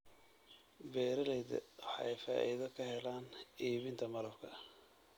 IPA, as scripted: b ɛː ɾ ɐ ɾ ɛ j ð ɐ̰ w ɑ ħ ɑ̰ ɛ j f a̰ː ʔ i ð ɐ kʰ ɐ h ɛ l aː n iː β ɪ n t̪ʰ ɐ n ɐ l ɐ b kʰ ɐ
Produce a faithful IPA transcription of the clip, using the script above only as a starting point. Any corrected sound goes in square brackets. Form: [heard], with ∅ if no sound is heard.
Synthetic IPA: b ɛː ɾ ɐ [l] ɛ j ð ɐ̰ w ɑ ħ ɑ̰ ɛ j f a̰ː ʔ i ð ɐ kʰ ɐ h ɛ l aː n iː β ɪ n t̪ʰ ɐ [m] ɐ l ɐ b kʰ ɐ

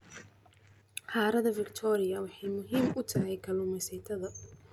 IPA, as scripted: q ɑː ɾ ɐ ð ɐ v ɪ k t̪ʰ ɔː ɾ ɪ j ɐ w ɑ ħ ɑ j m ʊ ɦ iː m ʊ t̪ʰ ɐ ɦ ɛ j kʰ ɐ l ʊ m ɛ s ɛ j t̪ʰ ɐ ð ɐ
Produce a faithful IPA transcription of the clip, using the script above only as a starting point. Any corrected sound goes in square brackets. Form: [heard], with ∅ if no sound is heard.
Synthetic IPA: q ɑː ɾ ɐ ð ɐ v ɪ k t̪ʰ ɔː ɾ ɪ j ɐ w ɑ ħ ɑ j m ʊ ɦ iː m ʊ t̪ʰ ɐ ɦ ɛ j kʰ ɐ l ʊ m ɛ s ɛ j t̪ʰ ɐ ð ɐ

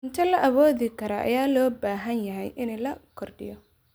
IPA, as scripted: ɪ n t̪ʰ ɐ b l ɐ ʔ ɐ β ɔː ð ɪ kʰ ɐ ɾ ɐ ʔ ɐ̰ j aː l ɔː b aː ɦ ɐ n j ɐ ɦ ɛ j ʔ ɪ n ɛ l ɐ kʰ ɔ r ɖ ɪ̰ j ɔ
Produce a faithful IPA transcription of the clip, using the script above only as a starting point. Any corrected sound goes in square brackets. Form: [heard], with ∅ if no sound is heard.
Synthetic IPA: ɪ n t̪ʰ ɐ [∅] l ɐ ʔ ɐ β ɔː ð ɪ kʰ ɐ ɾ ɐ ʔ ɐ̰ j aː l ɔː b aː ɦ ɐ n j ɐ ɦ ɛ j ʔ ɪ n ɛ l ɐ kʰ ɔ r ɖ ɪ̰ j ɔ

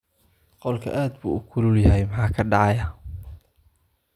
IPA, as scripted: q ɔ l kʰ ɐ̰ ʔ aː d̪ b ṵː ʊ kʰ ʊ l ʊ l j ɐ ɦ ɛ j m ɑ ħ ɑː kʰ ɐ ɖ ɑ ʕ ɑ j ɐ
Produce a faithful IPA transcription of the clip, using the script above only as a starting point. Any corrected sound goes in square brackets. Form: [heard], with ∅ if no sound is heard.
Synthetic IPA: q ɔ l kʰ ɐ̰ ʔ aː d̪ b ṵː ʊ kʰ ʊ l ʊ l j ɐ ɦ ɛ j m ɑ ħ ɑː kʰ ɐ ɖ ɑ ʕ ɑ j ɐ

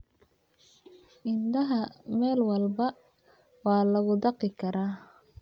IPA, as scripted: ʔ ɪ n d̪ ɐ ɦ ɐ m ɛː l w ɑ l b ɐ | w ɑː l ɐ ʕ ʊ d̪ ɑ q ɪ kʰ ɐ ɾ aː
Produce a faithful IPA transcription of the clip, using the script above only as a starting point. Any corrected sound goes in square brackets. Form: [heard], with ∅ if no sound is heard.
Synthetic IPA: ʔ ɪ n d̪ ɐ ɦ ɐ m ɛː l w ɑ l b ɐ | w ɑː l ɐ [ɣ] ʊ d̪ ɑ q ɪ kʰ ɐ ɾ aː

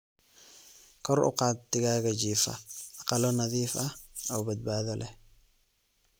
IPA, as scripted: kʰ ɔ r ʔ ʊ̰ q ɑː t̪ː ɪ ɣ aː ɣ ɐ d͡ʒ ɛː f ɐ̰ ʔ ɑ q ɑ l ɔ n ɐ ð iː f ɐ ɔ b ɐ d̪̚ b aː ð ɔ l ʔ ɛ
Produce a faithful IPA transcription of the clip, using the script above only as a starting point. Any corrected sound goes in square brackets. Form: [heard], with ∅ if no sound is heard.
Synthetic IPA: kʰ ɔ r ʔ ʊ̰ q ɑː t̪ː ɪ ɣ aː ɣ ɐ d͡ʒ [iː] f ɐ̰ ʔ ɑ q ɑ l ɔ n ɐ ð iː f ɐ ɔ b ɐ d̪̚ b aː ð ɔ l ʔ ɛ

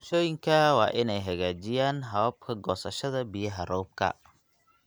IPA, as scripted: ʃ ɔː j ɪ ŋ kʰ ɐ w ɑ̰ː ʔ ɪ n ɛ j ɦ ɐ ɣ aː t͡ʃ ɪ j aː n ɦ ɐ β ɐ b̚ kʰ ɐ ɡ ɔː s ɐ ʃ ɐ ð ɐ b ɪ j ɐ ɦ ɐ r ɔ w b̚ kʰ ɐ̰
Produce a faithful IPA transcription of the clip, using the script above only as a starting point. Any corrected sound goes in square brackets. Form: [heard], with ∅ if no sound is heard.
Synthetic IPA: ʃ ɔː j ɪ ŋ kʰ ɐ w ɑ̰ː ʔ ɪ n ɛ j ɦ ɐ ɣ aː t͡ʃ ɪ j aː n ɦ ɐ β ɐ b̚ kʰ ɐ ɡ ɔː s ɐ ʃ ɐ ð ɐ b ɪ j ɐ ɦ ɐ r ɔ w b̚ kʰ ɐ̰

